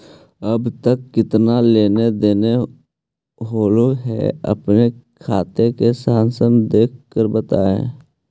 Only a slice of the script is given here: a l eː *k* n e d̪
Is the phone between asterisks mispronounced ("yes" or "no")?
yes